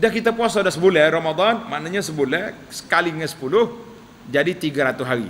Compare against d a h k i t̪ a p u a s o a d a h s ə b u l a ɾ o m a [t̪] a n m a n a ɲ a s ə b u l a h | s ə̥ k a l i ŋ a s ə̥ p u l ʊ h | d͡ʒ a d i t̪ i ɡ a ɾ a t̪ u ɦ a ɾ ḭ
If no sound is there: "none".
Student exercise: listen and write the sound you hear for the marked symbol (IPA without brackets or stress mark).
d̪